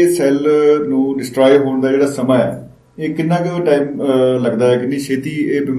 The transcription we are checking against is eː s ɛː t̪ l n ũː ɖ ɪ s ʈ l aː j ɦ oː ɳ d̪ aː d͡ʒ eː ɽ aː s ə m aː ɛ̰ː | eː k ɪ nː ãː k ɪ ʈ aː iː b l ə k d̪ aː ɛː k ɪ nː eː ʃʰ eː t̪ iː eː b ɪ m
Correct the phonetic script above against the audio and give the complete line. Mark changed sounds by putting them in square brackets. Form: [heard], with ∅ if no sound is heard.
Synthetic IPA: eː s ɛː [∅] l n ũː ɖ ɪ s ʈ [ɾ] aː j ɦ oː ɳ d̪ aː d͡ʒ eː ɽ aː s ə m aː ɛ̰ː | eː k ɪ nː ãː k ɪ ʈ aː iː [m] l ə [ɡ] d̪ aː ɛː k ɪ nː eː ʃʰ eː t̪ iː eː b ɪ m